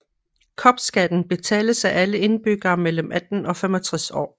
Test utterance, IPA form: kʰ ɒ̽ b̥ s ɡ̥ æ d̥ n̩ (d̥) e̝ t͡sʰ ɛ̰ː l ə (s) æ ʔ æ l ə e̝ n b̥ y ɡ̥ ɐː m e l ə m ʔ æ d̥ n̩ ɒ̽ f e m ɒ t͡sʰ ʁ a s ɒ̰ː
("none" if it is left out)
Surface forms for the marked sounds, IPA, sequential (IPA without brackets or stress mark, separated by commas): b̥, s